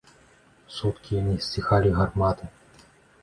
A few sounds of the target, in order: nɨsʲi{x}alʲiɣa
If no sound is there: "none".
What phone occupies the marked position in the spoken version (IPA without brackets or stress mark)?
x